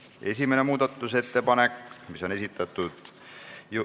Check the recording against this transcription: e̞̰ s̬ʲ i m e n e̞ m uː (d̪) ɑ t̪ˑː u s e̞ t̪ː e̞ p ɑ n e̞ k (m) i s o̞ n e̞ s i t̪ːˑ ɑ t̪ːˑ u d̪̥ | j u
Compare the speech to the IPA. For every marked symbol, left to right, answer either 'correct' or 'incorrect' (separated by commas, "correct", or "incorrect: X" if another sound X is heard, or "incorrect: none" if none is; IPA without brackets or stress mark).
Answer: correct, correct